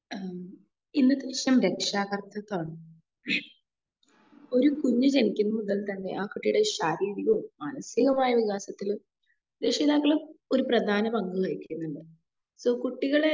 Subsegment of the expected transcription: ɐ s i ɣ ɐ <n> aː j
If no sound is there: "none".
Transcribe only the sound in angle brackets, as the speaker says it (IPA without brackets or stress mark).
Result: m